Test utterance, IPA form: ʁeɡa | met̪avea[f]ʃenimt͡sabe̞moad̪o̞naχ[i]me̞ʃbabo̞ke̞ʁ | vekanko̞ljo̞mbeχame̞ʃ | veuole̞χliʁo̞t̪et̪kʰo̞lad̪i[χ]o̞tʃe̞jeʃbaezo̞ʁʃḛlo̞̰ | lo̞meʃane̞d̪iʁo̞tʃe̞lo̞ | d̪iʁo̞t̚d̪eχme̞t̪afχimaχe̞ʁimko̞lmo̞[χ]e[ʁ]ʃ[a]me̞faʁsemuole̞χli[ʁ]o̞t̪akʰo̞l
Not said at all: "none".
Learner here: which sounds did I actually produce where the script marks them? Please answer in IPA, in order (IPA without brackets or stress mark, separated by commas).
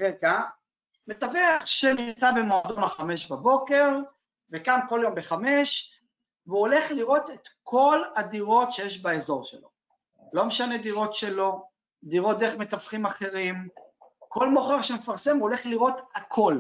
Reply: χ, a, ʁ, χ, ʁ, e, ʁ